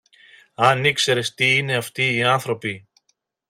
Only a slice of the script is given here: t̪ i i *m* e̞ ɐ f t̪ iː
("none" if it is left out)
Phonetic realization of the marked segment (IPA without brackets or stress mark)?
n